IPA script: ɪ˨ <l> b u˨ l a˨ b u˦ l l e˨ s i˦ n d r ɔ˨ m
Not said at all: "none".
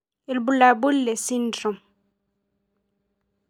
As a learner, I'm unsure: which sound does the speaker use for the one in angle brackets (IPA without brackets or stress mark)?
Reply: l